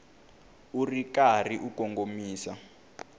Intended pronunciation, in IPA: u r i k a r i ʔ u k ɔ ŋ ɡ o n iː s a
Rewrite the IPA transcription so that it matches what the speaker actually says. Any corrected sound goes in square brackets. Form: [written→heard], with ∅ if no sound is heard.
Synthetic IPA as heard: u r i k a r i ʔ u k ɔ ŋ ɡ o [n→m] iː s a